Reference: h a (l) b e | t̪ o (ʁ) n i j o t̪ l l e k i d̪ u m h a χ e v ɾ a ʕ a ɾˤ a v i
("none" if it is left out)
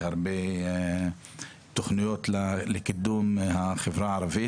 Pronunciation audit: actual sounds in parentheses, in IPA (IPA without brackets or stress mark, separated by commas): ɾ, χ